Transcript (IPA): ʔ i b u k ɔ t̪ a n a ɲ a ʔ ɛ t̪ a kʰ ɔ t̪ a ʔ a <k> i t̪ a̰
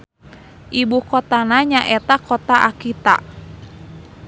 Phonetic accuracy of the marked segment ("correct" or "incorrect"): correct